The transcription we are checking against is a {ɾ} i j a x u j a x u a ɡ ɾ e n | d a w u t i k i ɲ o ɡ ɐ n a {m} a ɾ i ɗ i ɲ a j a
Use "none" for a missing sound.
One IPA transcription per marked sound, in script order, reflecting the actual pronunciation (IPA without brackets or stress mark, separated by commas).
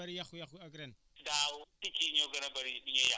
ɾ, b